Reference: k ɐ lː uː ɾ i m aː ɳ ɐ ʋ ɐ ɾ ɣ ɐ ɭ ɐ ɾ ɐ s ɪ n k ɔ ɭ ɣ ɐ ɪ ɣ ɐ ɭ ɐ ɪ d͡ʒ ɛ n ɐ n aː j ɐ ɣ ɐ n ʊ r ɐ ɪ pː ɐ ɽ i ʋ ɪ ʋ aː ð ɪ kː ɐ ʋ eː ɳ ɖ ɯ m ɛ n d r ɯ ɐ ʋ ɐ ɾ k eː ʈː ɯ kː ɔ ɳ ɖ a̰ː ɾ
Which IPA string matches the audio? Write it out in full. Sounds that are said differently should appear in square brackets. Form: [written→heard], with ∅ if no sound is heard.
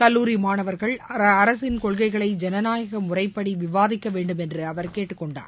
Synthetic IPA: k ɐ lː uː ɾ i m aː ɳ ɐ ʋ ɐ ɾ ɣ ɐ ɭ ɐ ɾ ɐ s ɪ n k ɔ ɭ ɣ ɐ ɪ ɣ ɐ ɭ ɐ ɪ d͡ʒ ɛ n ɐ n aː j ɐ ɣ ɐ [n→m] ʊ r ɐ ɪ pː ɐ ɽ i ʋ ɪ ʋ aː ð ɪ kː ɐ ʋ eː ɳ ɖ ɯ m ɛ n d r ɯ ɐ ʋ ɐ ɾ k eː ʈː ɯ kː ɔ ɳ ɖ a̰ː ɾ